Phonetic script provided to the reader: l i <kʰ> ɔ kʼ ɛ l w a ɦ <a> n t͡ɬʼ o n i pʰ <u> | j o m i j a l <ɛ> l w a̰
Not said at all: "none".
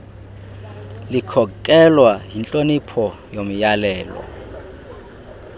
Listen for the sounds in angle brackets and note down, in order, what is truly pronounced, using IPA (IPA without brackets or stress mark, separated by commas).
kʰ, i, ɔ, ɛː